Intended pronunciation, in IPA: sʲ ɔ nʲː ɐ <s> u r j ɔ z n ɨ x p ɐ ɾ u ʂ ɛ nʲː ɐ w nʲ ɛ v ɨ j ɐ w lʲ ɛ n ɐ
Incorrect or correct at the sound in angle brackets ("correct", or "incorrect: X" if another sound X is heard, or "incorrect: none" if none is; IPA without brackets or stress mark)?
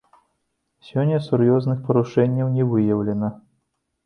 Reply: correct